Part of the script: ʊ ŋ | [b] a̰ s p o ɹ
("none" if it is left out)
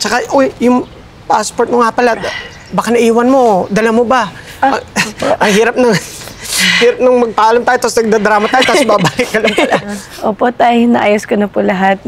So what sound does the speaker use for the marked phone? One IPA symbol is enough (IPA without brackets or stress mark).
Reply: p